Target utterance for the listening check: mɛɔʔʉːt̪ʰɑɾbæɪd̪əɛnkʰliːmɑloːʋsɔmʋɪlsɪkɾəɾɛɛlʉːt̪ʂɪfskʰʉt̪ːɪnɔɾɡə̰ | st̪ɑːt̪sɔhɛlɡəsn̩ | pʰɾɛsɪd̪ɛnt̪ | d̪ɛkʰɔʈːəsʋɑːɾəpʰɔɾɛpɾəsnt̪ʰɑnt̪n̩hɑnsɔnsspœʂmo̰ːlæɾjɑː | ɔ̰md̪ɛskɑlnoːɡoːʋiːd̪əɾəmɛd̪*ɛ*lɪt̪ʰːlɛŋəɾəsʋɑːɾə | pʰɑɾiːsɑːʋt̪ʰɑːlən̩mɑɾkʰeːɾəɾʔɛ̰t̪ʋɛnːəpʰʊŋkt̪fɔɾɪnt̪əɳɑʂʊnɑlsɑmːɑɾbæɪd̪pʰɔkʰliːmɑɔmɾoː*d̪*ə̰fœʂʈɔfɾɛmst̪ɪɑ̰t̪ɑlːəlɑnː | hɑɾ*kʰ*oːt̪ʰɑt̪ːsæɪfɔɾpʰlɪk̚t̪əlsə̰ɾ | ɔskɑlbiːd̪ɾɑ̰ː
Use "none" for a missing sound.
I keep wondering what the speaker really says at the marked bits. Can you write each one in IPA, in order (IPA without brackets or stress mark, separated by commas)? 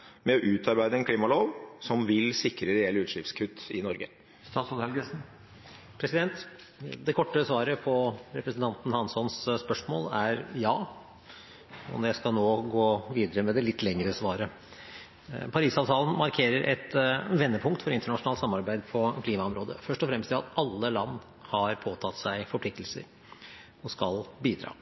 ɛ, d̪, pʰ